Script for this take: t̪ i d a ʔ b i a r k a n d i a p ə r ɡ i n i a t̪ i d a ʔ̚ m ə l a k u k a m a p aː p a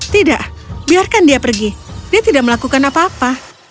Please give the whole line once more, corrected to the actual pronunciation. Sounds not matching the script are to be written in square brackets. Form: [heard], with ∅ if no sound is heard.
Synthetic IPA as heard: t̪ i d a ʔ b i a r k a n d i a p ə r ɡ i [d] i a t̪ i d a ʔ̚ m ə l a k u k a [n] a p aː p a